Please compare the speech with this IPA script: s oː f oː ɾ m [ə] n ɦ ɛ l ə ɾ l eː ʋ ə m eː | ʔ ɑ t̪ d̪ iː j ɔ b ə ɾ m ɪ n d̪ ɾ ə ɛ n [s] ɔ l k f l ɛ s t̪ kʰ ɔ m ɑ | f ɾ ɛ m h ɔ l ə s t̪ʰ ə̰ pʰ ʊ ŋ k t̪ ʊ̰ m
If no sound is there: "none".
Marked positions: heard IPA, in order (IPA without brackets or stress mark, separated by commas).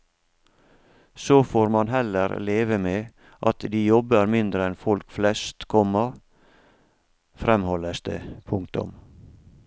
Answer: ɑ, f